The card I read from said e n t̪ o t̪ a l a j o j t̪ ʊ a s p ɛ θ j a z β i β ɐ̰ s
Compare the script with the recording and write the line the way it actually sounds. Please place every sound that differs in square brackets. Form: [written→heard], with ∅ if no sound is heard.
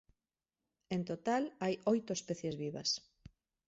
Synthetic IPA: e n t̪ o t̪ a l a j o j t̪ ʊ [a→e] s p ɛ θ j [a→e] z β i β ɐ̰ s